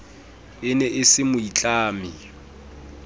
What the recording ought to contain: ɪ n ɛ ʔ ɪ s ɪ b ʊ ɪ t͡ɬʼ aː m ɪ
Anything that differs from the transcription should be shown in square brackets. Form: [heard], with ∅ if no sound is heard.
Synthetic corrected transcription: ɪ n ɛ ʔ ɪ s ɪ [m] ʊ [i] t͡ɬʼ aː m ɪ